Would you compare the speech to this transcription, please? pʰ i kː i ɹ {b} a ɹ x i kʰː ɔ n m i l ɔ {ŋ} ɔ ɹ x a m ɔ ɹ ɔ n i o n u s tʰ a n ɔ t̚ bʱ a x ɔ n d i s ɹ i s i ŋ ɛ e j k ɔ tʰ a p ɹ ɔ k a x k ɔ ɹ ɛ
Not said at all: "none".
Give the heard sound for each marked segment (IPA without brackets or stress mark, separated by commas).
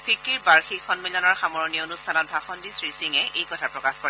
b, n